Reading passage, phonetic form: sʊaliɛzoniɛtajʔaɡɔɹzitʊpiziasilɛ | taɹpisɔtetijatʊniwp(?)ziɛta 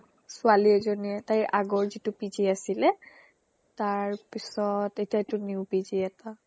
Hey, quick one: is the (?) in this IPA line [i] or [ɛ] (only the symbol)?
i